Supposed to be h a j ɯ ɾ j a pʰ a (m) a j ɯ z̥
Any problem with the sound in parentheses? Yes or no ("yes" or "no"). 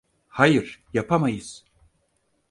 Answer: no